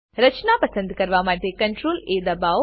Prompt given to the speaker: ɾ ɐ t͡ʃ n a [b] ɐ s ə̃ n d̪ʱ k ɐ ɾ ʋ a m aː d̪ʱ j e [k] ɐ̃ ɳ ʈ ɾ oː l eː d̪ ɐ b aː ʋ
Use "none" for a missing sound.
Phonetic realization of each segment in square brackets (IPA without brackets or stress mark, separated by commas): p, k